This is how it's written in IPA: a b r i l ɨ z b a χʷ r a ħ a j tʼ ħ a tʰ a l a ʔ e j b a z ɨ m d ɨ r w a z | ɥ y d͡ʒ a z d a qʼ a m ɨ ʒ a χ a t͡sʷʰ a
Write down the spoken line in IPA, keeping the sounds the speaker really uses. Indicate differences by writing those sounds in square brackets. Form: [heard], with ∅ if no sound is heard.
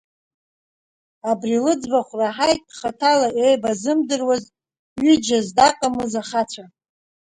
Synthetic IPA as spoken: a b r i l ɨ [d͡z] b a χʷ r a ħ a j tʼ [χ] a tʰ a l a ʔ e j b a z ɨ m d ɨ r w a z | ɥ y d͡ʒ a z d a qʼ a m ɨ [z] a χ a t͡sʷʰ a